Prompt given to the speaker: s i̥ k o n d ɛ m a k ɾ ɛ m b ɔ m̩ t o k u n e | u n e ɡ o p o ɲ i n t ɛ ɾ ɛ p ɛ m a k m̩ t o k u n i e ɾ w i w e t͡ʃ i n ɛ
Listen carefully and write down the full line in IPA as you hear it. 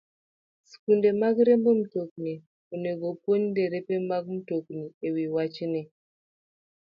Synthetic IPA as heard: s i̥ k u n d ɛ m a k ɾ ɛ m b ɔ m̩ t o k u n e | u n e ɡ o p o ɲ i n d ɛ ɾ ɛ p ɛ m a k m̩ t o k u n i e w i w a t͡ʃ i n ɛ